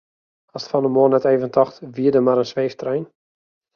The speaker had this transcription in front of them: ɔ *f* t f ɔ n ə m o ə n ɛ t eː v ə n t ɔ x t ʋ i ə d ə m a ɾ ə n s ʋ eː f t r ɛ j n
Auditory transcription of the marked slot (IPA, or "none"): s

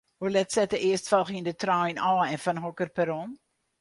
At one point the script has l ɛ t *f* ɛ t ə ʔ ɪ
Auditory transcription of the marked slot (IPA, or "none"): s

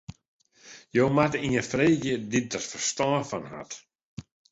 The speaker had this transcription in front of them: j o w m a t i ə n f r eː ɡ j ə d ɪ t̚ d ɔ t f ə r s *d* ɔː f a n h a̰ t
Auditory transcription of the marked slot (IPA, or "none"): t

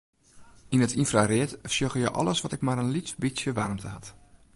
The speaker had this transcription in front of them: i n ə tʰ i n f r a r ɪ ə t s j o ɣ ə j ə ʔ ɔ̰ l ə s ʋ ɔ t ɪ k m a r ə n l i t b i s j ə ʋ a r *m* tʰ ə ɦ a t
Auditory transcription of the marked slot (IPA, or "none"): m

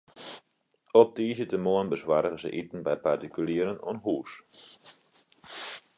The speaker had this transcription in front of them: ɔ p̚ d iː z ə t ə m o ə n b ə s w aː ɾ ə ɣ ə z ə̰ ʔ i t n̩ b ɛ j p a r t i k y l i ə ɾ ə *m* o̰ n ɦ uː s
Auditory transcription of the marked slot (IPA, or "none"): n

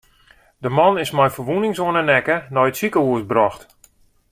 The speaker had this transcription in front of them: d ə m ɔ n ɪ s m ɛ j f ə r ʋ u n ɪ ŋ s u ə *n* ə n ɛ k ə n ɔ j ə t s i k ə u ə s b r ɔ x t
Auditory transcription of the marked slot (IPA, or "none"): n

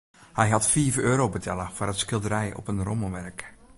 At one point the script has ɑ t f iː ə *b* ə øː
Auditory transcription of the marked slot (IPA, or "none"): v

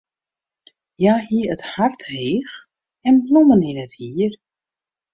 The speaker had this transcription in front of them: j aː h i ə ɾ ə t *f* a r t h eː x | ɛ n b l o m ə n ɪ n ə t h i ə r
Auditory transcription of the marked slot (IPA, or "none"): h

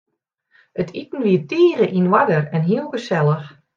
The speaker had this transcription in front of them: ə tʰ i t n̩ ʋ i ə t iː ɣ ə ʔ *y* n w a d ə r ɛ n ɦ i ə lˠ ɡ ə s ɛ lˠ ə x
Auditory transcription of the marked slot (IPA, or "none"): i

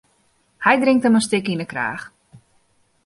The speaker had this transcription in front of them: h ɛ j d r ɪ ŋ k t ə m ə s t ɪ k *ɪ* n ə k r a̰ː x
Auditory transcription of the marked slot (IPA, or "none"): i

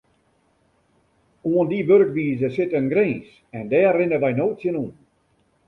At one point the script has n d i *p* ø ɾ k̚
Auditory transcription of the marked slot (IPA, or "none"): b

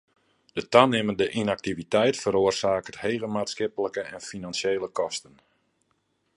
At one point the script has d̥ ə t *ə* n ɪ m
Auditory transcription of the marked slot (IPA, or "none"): a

